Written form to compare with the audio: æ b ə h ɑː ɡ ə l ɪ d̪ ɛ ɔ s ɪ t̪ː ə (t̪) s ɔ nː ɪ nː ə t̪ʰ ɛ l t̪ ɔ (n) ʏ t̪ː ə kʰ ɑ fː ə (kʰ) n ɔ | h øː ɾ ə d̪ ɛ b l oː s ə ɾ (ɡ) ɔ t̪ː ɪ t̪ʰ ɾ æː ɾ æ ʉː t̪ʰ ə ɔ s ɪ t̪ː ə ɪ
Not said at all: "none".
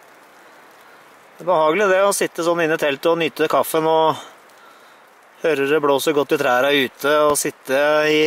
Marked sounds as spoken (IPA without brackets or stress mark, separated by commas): none, n, none, ɡ